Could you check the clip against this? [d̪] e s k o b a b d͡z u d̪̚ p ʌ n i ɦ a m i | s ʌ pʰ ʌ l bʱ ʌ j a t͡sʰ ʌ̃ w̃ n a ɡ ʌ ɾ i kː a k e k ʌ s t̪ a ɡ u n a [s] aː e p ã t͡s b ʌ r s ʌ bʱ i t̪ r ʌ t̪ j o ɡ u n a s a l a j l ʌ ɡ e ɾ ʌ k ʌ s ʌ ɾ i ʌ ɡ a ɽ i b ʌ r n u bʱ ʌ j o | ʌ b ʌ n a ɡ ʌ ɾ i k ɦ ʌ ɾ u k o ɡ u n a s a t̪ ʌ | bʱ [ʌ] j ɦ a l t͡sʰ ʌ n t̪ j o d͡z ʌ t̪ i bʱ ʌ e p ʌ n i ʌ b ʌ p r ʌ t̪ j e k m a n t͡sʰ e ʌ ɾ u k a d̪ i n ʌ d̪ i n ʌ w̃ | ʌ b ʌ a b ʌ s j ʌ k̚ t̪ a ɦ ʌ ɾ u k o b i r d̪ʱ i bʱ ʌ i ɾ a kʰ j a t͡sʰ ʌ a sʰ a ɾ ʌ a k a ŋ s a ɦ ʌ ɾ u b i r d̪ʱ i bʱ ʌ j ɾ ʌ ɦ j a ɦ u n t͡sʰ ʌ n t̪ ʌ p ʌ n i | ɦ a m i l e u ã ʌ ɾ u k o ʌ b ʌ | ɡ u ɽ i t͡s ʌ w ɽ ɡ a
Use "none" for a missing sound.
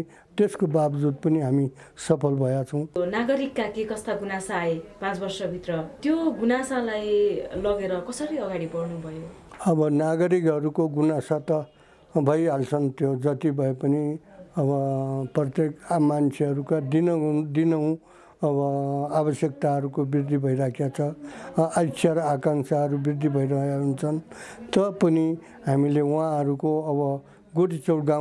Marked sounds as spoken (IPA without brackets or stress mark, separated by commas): t̪, s, ʌ